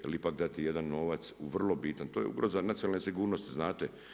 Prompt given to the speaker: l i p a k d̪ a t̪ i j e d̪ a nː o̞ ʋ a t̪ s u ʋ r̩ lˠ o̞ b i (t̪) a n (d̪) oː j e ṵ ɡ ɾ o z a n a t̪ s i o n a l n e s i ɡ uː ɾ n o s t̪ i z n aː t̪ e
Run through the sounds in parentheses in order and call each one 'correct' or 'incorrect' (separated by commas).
correct, incorrect